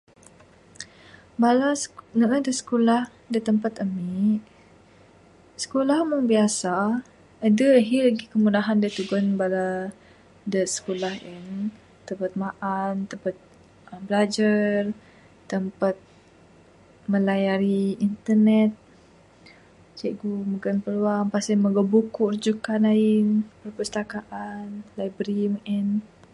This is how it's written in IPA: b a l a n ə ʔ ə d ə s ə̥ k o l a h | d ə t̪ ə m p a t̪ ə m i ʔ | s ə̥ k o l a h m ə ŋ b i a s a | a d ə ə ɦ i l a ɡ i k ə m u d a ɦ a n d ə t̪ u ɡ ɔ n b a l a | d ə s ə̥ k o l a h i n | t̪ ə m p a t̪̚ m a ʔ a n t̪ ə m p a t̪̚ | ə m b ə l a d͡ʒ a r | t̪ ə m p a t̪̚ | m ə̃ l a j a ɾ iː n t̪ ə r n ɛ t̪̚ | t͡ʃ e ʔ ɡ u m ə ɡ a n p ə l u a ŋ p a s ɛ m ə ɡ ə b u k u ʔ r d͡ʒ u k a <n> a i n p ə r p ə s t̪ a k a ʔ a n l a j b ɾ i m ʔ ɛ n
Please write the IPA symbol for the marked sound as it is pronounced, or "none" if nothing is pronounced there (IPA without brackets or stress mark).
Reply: n